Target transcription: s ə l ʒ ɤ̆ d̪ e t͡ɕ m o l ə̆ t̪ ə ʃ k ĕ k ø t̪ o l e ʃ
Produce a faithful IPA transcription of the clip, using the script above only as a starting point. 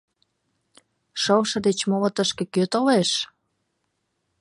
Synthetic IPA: ʃ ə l ʃ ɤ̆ d̪ e t͡ɕ m o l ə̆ t̪ ə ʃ k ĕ k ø t̪ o l e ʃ